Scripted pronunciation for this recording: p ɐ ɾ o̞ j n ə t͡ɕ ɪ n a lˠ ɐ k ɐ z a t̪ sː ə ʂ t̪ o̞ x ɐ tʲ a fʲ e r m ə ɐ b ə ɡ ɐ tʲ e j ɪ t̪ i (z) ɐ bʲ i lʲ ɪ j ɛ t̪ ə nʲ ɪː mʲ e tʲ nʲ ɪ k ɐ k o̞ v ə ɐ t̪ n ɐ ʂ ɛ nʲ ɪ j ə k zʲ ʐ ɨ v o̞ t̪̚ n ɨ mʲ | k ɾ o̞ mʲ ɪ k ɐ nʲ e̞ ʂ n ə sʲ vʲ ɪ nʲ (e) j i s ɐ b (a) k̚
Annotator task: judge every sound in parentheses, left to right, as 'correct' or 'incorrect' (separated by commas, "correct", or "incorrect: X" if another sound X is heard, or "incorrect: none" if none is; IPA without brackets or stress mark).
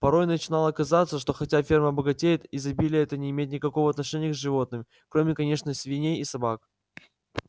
correct, correct, correct